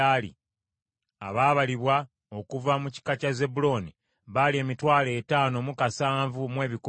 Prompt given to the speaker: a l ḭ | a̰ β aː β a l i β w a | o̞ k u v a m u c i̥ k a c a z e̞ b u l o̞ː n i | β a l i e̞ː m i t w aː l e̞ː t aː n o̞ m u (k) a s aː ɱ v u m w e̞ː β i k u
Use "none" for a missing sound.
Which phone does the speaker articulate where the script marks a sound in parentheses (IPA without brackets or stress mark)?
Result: k